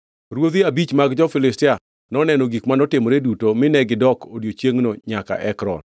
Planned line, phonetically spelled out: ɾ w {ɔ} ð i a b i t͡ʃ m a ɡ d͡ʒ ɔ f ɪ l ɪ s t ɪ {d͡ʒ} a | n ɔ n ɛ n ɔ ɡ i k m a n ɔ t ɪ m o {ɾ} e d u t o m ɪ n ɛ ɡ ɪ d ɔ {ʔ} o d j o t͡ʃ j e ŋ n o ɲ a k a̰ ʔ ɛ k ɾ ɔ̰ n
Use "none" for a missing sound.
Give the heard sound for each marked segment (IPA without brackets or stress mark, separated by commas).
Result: o, none, ɾ, k